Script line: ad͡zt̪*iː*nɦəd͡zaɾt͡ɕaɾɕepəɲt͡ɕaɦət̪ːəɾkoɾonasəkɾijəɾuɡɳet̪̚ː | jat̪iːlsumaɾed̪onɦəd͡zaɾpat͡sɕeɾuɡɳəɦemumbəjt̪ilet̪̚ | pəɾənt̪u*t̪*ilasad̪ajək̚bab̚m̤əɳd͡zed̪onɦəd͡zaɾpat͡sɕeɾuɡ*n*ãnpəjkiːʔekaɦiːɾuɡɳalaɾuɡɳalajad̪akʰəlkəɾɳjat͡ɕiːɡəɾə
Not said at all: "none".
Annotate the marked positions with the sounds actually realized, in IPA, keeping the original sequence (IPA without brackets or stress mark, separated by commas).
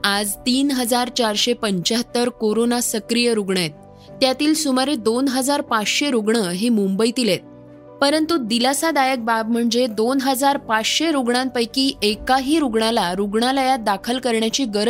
iː, d̪, ɳ